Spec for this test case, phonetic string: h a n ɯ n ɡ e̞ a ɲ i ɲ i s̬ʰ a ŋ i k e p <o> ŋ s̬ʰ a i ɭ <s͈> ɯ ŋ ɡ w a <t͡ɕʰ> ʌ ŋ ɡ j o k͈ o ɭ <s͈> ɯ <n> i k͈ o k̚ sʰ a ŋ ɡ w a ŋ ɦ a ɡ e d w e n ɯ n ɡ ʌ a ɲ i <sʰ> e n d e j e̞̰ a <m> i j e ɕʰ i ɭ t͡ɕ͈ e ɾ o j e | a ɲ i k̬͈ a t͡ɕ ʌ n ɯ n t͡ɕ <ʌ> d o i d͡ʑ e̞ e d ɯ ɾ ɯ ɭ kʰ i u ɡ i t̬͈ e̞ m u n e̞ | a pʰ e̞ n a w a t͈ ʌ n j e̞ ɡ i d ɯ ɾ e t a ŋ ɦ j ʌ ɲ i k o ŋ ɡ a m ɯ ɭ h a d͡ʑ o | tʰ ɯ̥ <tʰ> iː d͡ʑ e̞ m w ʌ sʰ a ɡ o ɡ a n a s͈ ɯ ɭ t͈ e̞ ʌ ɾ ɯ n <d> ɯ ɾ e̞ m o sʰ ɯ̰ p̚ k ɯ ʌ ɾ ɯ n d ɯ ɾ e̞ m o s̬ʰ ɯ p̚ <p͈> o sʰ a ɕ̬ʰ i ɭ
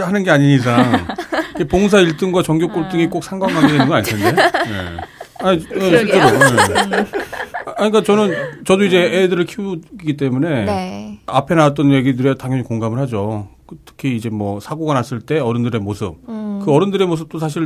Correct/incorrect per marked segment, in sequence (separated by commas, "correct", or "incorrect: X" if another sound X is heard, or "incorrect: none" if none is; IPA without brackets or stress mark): correct, incorrect: t͈, incorrect: t͡ɕ, incorrect: t͈, incorrect: ŋ, incorrect: tʰ, incorrect: ɲ, correct, incorrect: kʰ, correct, incorrect: t͈